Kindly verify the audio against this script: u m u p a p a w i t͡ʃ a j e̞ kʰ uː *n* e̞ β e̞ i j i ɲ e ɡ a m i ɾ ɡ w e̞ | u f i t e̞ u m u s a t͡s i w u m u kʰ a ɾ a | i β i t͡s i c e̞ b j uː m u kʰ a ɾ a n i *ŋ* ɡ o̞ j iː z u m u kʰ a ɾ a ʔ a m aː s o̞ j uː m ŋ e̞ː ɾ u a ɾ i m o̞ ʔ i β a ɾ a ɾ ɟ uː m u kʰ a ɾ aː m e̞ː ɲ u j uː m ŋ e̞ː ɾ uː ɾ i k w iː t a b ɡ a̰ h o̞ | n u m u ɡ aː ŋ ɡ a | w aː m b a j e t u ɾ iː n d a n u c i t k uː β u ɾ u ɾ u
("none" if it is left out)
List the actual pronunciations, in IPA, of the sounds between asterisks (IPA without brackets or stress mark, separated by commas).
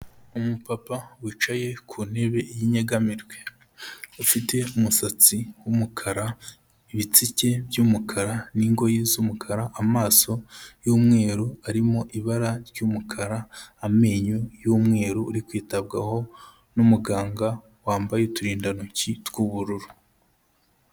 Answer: n, ŋ